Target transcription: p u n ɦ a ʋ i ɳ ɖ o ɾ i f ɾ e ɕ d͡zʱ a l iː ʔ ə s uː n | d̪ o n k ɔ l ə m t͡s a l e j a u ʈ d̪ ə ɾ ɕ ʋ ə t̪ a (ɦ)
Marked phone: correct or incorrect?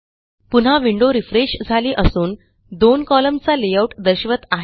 correct